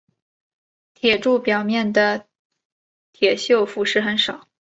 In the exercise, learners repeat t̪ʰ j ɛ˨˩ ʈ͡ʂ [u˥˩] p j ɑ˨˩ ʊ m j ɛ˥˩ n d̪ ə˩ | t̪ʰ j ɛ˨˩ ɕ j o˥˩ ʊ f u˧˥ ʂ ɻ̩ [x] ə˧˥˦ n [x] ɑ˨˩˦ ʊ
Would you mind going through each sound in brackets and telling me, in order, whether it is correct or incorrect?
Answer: correct, correct, incorrect: ʂ

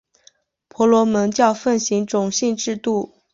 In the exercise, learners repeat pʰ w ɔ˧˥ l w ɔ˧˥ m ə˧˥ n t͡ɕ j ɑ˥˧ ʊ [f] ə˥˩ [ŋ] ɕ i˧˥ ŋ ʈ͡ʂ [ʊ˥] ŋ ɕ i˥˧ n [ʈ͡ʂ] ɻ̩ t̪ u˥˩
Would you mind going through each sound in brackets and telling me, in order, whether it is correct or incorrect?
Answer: correct, incorrect: n, incorrect: ʊ˨˩, correct

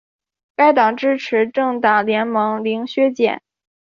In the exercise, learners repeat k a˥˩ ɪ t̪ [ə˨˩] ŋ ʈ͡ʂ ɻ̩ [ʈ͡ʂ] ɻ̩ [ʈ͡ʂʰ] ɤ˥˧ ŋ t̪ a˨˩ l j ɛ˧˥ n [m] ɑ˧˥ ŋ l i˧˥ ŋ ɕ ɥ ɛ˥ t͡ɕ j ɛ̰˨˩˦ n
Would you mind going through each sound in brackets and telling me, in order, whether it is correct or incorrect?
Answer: incorrect: ɑ˨˩, incorrect: ʈ͡ʂʰ, incorrect: ʈ͡ʂ, correct

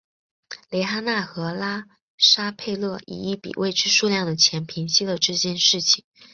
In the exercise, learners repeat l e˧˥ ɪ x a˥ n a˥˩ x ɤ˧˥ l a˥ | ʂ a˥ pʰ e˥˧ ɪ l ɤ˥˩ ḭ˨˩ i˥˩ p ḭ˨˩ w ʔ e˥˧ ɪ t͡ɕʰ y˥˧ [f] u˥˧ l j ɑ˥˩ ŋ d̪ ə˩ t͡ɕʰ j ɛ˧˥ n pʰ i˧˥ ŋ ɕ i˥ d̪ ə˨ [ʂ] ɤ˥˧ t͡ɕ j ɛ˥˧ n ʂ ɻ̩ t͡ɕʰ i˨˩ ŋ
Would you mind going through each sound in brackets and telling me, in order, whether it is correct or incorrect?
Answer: incorrect: ʂ, incorrect: ʈ͡ʂ

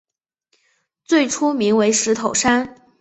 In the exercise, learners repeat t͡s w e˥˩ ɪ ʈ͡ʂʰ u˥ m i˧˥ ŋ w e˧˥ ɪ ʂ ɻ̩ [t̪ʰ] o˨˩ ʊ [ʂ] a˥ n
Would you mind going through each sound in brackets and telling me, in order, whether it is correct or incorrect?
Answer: correct, correct

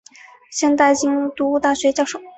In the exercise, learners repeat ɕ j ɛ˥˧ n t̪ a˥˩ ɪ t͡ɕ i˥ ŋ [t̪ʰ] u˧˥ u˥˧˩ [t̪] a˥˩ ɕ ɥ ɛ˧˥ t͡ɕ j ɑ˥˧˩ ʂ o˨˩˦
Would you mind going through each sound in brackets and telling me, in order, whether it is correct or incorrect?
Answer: incorrect: t̪, correct

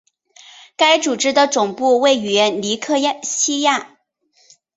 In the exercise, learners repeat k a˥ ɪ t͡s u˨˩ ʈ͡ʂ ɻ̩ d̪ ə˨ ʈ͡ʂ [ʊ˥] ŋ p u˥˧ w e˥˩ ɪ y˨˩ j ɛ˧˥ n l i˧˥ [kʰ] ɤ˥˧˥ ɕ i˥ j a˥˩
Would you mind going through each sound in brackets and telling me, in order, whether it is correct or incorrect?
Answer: incorrect: ʊ˨˩, correct

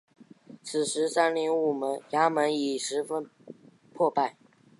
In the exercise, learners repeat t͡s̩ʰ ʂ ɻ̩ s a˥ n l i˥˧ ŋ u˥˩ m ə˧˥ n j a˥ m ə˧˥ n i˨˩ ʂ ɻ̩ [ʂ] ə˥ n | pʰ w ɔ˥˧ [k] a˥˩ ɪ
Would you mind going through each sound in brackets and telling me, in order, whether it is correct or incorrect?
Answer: incorrect: f, incorrect: p

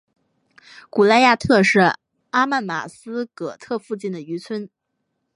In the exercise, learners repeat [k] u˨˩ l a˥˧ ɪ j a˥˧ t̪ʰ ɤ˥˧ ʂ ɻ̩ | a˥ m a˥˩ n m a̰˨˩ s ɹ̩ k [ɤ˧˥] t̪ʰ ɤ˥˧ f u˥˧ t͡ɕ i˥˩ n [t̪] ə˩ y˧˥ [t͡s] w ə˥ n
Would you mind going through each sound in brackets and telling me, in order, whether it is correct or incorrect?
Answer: correct, incorrect: ɤ˨˩, incorrect: d̪, incorrect: t͡sʰ

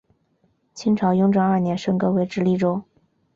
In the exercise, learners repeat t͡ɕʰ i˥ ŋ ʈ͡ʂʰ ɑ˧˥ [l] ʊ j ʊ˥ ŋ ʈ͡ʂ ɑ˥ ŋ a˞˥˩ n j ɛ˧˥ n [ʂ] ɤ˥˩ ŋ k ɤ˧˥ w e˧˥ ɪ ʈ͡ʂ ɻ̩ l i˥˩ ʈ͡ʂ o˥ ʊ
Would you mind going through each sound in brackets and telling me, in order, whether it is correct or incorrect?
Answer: incorrect: none, correct

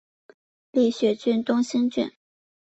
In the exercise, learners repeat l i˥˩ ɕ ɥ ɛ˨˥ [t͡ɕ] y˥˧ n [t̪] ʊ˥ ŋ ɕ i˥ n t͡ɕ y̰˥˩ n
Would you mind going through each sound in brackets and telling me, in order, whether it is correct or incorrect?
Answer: correct, correct

